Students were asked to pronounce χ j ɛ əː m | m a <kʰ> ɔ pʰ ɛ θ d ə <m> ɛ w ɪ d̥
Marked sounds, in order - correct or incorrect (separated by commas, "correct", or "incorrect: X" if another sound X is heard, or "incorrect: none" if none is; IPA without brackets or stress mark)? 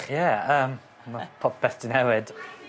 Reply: incorrect: pʰ, incorrect: n